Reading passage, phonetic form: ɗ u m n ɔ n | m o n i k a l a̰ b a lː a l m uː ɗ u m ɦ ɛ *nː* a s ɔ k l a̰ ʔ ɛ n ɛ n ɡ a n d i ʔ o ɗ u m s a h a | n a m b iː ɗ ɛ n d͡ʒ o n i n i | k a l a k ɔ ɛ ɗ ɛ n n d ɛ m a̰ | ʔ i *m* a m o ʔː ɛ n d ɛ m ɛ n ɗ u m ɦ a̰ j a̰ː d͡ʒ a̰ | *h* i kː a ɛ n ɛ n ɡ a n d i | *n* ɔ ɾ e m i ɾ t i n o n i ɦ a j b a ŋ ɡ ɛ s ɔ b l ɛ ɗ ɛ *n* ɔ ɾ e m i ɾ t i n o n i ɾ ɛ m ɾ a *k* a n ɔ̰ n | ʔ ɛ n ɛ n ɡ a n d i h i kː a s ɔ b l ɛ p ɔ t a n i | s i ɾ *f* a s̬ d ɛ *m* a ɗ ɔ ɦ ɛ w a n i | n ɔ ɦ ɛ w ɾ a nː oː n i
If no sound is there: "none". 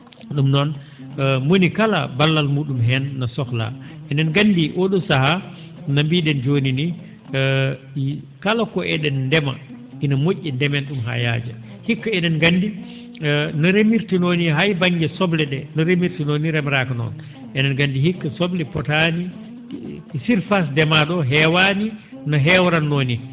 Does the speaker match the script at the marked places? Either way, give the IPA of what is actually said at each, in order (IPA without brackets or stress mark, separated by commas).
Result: nː, n, h, n, n, k, f, m